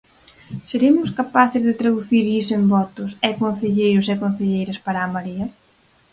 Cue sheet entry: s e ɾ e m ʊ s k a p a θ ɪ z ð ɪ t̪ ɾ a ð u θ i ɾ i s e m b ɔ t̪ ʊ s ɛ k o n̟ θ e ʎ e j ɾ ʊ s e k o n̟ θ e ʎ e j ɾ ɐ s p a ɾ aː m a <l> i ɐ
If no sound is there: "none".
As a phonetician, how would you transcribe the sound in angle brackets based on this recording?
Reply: ɾ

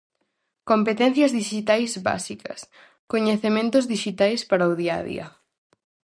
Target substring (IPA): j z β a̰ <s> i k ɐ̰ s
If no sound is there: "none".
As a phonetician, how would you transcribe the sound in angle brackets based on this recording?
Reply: s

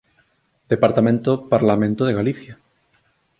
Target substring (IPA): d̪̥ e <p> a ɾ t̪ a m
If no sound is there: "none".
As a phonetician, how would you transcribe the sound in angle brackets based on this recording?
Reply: p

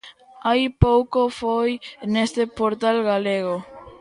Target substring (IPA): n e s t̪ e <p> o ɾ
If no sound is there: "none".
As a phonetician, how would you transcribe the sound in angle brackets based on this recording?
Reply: p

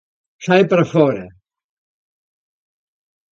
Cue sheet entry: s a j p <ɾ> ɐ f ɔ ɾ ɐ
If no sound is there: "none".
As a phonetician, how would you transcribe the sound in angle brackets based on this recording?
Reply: ɾ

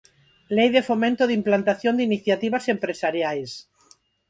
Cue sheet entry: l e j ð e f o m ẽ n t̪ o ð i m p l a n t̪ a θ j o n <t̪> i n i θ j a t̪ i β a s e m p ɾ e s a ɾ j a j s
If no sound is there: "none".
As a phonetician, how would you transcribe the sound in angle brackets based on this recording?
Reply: d̪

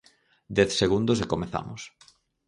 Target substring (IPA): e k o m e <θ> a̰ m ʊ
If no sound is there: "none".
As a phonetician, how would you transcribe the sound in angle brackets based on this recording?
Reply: θ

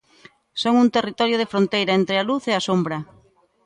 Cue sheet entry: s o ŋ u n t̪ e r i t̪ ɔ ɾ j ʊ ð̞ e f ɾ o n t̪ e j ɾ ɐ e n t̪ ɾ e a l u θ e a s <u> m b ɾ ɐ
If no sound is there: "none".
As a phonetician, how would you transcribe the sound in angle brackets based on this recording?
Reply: o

